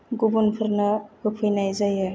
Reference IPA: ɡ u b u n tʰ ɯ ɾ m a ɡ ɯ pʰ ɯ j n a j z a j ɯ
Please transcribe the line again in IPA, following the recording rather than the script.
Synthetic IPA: ɡ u b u n pʰ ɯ ɾ n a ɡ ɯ pʰ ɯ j n a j z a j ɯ

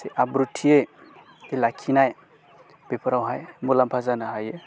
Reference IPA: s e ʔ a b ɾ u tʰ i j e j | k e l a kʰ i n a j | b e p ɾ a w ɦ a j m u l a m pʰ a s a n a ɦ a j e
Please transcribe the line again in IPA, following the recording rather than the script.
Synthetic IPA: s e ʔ a b ɾ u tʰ i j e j | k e l a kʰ i n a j | b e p ɾ a w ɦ a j m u l a m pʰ a z a n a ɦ a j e

